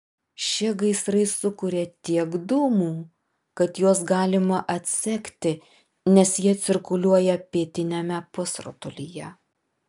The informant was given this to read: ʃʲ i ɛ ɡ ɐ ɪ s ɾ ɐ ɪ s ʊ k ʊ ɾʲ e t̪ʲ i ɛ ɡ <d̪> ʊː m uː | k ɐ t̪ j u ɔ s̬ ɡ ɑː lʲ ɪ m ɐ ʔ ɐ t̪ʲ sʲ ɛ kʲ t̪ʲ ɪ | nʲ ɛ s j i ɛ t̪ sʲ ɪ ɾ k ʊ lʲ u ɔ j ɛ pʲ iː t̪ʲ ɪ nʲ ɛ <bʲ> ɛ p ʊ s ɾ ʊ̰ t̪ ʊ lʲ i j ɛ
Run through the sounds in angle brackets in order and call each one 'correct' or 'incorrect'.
correct, incorrect: mʲ

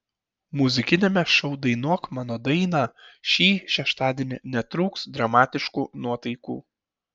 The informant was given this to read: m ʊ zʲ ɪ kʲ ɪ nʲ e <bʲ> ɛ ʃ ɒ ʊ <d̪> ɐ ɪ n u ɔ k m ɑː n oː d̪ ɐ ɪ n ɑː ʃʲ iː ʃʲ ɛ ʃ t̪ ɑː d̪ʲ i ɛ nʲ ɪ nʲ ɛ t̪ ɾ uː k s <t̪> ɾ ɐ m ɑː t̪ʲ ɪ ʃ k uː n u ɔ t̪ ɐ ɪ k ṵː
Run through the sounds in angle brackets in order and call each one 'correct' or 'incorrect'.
incorrect: mʲ, correct, incorrect: d̪

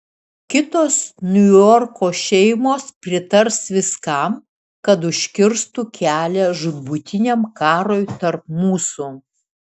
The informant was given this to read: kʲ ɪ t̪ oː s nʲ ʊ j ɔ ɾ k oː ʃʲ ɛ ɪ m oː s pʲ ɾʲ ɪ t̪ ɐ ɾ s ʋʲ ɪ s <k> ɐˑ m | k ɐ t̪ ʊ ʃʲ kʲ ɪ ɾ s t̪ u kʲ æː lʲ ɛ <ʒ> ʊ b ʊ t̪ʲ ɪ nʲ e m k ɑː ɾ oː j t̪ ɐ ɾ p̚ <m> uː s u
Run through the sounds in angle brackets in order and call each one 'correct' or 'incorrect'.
correct, correct, correct

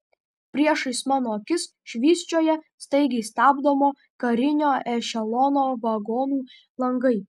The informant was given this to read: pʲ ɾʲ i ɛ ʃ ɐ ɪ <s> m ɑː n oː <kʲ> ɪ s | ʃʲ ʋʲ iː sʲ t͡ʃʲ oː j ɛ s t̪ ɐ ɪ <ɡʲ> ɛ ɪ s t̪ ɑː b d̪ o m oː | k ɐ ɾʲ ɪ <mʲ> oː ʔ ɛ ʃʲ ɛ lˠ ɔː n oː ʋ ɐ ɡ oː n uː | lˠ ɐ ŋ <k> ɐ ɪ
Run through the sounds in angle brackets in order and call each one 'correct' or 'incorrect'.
correct, correct, correct, incorrect: nʲ, incorrect: ɡ

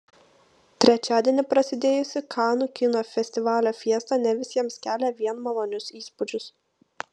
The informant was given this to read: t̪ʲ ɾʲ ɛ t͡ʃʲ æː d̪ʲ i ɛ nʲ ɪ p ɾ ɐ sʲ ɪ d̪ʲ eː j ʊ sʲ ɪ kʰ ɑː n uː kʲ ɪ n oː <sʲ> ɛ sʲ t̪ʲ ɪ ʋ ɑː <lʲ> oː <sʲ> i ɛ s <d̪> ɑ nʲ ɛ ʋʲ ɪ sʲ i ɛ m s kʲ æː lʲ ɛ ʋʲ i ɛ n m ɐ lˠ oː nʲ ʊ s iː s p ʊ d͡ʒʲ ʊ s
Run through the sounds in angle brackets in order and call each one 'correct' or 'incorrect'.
incorrect: fʲ, correct, incorrect: fʲ, incorrect: t̪

